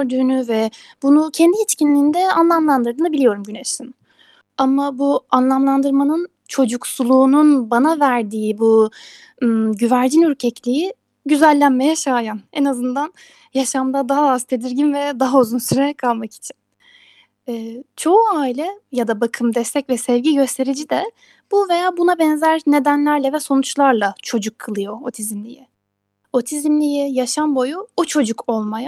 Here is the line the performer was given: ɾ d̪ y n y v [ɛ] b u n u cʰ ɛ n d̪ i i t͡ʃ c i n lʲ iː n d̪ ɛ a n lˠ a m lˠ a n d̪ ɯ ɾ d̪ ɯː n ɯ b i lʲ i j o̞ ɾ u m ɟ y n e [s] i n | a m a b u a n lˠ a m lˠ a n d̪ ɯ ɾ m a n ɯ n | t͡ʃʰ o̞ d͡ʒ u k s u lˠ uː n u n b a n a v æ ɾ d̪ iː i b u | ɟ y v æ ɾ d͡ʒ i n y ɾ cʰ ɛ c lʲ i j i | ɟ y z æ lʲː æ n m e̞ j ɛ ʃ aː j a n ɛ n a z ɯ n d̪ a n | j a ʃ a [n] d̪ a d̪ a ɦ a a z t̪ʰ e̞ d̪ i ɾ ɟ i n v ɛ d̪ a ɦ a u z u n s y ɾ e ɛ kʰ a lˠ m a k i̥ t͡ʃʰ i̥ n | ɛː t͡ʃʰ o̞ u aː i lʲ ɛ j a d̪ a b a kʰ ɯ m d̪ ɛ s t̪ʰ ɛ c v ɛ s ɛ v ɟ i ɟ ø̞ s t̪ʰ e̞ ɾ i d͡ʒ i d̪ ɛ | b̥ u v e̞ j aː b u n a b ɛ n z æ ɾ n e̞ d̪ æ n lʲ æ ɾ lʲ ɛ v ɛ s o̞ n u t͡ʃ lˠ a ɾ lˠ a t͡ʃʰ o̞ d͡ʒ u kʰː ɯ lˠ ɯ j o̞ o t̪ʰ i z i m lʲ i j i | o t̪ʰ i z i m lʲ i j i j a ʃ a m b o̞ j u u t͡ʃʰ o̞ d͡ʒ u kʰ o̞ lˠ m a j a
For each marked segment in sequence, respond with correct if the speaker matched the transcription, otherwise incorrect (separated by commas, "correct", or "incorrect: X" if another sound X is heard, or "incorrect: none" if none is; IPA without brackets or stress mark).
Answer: correct, incorrect: ʃ, incorrect: m